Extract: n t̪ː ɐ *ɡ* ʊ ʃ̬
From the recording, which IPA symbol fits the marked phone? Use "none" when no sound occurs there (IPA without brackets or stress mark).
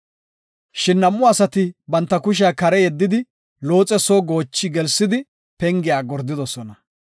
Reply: k